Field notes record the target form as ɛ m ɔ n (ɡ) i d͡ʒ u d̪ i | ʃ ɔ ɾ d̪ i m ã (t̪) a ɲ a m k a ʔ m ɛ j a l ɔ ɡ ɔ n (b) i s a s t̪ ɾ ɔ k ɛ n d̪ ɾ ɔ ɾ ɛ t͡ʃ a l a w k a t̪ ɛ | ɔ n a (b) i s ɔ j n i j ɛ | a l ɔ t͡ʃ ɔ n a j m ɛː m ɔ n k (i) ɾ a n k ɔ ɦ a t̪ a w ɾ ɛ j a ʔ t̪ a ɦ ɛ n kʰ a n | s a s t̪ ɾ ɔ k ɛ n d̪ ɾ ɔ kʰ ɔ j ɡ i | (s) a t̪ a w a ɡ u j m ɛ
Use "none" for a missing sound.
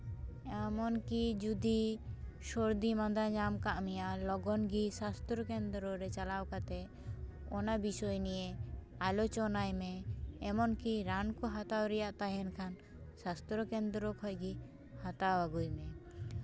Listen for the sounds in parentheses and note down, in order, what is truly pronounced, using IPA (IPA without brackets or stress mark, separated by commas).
k, d̪, ɡ, b, i, h